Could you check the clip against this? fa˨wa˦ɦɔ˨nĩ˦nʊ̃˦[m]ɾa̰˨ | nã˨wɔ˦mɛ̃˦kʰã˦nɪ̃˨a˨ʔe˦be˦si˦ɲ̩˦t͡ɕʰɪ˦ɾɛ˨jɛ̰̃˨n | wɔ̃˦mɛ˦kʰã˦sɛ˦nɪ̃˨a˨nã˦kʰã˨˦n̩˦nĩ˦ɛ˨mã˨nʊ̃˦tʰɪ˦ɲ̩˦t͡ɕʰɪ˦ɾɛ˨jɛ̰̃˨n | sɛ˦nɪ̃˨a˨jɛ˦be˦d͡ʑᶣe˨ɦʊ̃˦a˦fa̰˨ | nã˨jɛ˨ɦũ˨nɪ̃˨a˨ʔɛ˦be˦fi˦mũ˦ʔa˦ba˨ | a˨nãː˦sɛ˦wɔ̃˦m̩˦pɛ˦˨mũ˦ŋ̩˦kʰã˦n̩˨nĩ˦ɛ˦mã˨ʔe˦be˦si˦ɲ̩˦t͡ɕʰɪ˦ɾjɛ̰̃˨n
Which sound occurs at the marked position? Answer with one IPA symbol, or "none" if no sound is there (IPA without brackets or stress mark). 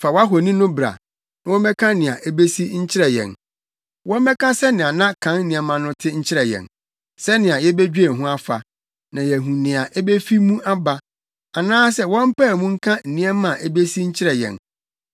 b